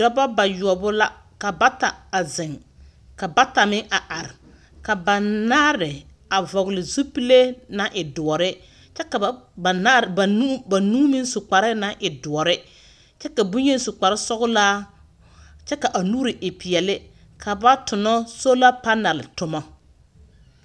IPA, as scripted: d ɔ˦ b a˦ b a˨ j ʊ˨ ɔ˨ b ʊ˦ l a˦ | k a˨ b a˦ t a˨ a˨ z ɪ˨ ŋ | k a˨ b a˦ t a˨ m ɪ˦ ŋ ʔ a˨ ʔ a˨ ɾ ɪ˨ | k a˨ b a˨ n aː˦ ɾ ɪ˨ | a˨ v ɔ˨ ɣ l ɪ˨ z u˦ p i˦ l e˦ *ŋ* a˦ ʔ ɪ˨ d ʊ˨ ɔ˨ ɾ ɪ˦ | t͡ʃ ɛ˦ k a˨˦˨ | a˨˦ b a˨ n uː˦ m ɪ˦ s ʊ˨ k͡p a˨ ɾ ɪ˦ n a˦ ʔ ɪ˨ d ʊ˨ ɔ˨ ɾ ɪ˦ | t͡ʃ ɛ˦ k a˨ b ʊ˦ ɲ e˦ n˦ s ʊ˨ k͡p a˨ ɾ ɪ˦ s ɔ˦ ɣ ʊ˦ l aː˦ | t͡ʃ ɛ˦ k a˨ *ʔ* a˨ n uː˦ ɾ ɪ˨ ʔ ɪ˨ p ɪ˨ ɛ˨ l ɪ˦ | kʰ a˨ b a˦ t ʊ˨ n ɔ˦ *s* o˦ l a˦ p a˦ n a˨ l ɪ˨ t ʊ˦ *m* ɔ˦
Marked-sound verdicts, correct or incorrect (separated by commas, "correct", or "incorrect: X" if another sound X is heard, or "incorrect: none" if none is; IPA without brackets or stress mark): incorrect: n, correct, correct, correct